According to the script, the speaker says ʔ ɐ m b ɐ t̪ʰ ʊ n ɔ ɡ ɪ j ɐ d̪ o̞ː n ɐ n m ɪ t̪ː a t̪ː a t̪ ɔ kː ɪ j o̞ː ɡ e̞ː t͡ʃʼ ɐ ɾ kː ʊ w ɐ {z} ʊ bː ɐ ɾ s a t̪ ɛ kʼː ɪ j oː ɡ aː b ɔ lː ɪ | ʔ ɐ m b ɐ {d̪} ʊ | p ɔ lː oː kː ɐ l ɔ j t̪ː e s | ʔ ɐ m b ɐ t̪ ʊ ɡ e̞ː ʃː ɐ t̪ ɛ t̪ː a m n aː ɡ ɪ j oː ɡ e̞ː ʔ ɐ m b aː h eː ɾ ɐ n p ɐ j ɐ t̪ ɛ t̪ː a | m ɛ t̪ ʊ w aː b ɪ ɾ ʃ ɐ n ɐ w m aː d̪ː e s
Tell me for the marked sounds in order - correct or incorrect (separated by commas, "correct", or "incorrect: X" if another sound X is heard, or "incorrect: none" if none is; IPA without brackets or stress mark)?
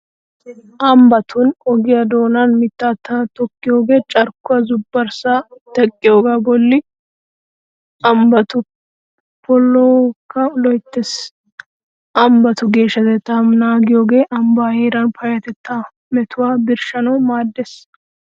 correct, incorrect: t̪